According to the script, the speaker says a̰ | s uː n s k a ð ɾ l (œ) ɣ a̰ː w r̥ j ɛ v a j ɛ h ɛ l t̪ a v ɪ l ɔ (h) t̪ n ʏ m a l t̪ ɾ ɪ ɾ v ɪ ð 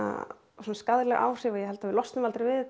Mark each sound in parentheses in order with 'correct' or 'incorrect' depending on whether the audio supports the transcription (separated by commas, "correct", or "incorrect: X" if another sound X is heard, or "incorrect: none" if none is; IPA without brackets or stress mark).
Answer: incorrect: ɛ, incorrect: s